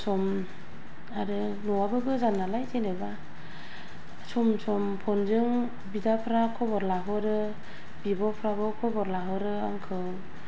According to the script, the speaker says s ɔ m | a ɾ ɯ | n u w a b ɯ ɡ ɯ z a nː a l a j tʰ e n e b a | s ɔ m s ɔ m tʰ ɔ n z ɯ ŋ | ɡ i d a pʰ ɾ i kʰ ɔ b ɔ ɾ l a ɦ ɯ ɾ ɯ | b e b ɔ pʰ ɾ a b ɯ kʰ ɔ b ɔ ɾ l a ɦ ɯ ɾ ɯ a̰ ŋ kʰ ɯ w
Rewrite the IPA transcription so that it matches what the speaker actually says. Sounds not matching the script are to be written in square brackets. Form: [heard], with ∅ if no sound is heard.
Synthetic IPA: s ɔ m | a ɾ ɯ | n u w a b ɯ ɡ ɯ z a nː a l a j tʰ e n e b a | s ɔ m s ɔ m [pʰ] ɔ n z ɯ ŋ | [b] i d a pʰ ɾ [a] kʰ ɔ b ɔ ɾ l a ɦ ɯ ɾ ɯ | b [i] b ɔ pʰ ɾ a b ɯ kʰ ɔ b ɔ ɾ l a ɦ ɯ ɾ ɯ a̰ ŋ kʰ ɯ w